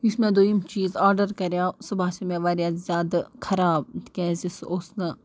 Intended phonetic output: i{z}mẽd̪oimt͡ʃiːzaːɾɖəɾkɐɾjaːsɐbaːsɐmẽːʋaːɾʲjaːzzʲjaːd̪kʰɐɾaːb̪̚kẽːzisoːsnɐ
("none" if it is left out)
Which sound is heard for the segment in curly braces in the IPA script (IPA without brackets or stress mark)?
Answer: s